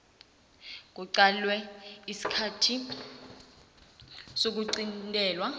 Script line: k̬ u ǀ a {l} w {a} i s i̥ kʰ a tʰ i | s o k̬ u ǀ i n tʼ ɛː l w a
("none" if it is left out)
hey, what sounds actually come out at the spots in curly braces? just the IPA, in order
l, ɛ

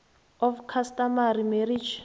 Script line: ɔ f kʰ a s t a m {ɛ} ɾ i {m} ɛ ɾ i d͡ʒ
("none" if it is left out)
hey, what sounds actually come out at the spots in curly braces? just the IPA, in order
a, m

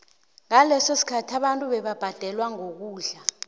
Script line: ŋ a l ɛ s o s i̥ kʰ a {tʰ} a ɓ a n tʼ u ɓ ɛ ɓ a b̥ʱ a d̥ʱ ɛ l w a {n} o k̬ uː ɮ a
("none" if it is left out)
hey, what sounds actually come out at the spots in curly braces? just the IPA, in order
tʰ, ŋ

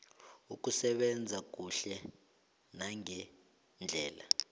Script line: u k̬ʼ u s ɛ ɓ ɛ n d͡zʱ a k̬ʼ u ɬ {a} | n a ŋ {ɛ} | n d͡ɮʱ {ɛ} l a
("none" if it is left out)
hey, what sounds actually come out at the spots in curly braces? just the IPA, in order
ɛ, ɛ, ɛː

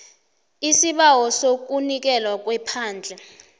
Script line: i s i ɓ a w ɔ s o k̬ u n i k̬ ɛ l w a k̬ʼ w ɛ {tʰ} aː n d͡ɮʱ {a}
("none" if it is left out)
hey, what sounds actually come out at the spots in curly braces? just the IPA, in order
pʰ, ɛ

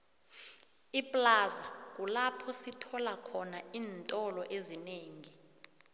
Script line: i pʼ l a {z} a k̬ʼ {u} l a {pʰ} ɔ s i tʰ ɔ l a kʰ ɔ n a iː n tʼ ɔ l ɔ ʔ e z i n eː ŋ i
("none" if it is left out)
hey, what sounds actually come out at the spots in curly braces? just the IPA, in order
z, u, pʰ

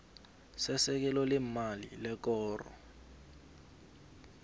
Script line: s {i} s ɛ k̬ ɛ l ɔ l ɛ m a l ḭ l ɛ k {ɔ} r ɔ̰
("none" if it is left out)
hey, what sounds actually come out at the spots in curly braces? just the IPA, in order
ɛ, ɔː

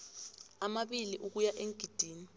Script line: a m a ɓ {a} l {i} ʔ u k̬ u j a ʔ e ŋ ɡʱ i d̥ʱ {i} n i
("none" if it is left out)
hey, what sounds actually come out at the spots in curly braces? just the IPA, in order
i, i, iː

